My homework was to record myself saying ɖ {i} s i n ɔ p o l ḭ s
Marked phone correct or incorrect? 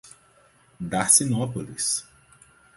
incorrect